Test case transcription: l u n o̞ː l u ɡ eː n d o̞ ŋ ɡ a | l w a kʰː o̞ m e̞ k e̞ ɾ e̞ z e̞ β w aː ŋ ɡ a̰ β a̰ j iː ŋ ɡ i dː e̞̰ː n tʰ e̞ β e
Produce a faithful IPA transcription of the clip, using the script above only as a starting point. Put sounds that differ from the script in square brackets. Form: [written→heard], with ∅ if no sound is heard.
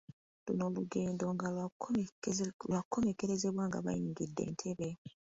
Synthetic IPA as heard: l u n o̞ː l u ɡ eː n d o̞ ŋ ɡ a | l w a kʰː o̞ m e̞ k e̞ ɾ e̞ z e̞ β w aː ŋ ɡ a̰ β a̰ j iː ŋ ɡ i dː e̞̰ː n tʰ e̞ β e